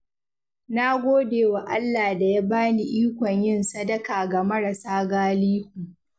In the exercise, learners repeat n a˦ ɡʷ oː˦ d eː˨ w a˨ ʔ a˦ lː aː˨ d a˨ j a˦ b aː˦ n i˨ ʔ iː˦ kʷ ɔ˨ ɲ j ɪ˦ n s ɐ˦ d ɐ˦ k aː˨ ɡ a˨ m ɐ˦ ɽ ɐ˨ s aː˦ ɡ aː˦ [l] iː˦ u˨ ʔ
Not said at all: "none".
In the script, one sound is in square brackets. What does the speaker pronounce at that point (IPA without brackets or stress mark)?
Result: l